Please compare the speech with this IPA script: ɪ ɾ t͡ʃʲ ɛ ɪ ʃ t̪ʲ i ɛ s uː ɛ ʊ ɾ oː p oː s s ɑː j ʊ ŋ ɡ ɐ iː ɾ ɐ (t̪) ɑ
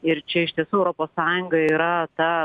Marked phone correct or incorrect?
correct